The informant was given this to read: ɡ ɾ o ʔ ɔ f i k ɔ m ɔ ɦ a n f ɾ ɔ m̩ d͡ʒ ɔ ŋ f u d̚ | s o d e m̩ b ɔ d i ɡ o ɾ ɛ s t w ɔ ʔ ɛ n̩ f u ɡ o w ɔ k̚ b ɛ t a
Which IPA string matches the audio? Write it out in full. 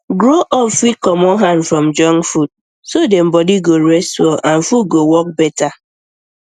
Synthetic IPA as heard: ɡ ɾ o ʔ ɔ f i k ɔ m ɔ ɦ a n f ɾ ɔ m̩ d͡ʒ ɔ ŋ f u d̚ | s o d e m̩ b ɔ d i ɡ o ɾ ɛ s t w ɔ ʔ a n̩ f u ɡ o w ɔ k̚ b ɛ t a

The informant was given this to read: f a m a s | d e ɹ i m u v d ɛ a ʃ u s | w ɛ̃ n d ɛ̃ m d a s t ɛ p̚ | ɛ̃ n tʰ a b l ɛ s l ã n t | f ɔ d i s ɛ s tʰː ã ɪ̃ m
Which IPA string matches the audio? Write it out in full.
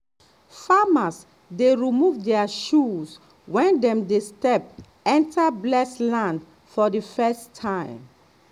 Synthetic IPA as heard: f a m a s | d e ɹ i m u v d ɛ a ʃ u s | w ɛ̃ n d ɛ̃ m d e s t ɛ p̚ | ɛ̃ n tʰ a b l ɛ s l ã n d | f ɔ d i f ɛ s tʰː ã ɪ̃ m

